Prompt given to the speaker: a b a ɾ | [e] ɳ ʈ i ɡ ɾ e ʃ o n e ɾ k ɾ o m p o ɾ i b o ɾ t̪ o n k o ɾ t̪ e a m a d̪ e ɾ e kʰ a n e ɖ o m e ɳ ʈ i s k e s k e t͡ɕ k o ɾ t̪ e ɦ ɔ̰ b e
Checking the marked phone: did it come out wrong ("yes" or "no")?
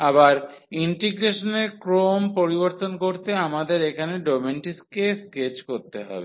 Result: yes